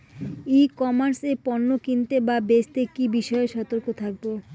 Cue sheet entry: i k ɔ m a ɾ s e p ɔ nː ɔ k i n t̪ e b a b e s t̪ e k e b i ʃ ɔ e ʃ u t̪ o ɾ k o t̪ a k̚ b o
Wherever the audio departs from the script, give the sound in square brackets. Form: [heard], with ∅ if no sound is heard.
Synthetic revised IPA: i k ɔ m a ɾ s e p ɔ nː [o] k i n t̪ e b a b e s t̪ e k [i] b i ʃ ɔ e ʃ [ɔ] t̪ o ɾ k o [t̪ʰ] a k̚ b o